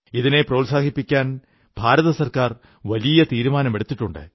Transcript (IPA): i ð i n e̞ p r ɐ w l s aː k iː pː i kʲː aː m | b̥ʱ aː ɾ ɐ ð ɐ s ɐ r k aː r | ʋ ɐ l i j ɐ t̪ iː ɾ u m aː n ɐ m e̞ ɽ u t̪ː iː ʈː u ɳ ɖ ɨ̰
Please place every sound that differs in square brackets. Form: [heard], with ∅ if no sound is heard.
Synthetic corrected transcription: i ð i n e̞ p r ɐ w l s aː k [i] pː i kʲː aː [n] | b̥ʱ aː ɾ ɐ ð ɐ s ɐ r k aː r | ʋ ɐ l i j ɐ t̪ iː ɾ u m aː n ɐ m e̞ ɽ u t̪ː [i] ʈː u ɳ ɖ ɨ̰